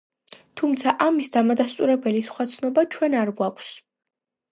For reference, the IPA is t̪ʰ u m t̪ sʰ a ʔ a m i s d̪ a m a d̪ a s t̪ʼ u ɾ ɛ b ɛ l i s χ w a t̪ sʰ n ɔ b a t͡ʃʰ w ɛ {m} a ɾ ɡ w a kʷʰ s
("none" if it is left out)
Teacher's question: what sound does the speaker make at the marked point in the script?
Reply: n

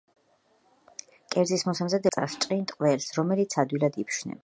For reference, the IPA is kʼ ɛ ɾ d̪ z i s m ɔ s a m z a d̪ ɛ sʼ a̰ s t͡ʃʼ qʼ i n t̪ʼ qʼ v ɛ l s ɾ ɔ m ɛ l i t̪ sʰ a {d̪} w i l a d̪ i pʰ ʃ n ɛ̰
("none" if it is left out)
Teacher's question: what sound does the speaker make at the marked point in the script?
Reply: d̪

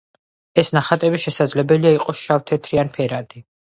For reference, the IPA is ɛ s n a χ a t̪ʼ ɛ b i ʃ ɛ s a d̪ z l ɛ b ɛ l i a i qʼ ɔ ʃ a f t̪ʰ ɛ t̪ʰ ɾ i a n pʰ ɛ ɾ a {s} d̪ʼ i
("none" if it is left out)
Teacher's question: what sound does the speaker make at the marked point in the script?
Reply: none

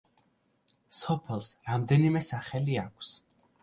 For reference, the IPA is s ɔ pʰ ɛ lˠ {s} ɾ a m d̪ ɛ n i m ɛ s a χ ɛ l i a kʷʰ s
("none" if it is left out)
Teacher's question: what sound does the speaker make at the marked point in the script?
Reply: s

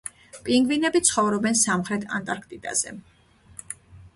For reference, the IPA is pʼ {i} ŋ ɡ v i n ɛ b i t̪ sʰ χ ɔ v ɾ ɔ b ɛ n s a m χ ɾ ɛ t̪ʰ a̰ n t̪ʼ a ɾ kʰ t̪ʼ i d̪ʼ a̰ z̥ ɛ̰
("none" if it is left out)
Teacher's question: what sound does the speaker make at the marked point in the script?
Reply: i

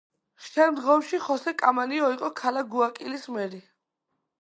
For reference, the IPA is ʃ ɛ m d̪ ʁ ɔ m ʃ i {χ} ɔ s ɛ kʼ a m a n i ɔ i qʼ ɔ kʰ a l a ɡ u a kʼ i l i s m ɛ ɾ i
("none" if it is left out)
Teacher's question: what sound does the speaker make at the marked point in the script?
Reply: χ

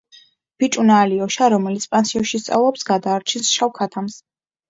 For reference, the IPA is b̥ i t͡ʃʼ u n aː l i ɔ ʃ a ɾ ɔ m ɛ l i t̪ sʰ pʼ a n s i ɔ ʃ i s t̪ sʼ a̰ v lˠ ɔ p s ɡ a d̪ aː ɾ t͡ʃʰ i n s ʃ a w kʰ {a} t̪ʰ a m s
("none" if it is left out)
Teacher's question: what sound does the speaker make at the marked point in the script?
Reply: a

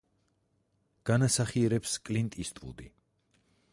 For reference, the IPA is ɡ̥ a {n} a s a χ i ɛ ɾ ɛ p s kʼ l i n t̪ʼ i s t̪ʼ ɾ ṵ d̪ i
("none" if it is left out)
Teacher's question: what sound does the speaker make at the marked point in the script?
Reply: n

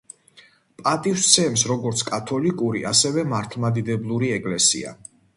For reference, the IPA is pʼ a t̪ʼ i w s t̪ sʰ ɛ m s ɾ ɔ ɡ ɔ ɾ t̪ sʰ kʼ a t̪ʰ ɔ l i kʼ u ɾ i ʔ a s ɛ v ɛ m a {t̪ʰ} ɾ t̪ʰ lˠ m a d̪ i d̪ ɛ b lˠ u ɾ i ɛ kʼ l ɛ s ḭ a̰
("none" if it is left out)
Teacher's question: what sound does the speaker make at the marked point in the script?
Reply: none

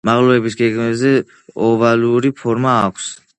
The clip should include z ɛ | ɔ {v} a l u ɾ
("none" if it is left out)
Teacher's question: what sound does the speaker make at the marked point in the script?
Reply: v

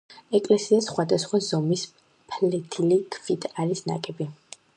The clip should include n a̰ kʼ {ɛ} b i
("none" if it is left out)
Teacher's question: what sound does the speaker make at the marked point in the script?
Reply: ɛ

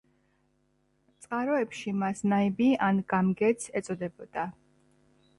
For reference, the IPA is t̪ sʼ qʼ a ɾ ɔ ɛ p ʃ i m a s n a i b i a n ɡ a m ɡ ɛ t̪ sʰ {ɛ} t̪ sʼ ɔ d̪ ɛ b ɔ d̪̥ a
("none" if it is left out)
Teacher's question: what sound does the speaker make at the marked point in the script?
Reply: ɛ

